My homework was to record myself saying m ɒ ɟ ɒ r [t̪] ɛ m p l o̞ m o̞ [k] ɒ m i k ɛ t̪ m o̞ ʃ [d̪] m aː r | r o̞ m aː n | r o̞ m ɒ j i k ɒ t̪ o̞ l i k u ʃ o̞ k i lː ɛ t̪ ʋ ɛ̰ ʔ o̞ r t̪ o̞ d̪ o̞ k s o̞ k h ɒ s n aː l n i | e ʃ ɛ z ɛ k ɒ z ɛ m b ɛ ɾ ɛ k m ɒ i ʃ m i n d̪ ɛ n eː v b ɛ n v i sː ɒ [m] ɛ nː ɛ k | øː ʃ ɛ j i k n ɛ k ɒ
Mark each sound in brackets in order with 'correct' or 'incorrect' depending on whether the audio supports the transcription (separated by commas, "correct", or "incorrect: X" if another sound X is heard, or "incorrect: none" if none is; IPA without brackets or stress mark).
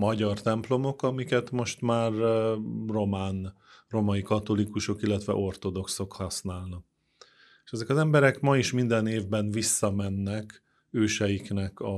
correct, correct, incorrect: t̪, correct